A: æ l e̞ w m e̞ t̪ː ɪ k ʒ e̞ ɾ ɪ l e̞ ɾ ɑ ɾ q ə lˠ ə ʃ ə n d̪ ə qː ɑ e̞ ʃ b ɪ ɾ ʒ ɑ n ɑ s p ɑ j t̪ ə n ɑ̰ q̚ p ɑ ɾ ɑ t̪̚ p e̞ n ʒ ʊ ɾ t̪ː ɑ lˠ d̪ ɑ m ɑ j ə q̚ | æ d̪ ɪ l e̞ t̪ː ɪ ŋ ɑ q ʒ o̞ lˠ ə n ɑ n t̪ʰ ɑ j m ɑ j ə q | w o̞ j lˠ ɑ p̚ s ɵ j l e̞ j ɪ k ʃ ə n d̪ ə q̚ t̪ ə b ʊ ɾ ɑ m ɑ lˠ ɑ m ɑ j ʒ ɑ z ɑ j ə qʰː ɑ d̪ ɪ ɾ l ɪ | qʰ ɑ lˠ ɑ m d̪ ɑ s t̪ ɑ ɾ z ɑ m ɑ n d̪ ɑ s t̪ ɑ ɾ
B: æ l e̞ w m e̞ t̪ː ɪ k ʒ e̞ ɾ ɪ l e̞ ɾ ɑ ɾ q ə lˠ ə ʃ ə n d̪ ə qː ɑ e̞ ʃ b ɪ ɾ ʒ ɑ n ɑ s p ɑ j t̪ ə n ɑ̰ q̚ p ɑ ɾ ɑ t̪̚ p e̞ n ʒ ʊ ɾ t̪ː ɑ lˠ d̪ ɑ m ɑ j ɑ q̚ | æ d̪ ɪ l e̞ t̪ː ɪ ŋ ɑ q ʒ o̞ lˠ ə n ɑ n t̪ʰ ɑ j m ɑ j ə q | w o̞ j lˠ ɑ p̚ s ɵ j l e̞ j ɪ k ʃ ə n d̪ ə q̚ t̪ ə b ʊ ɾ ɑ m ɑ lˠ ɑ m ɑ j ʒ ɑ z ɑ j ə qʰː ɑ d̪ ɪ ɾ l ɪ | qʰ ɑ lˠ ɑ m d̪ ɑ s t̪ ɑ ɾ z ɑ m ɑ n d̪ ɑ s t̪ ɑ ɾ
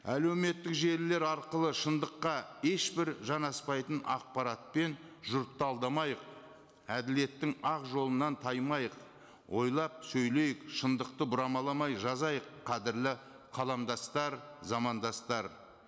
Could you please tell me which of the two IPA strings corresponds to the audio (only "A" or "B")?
A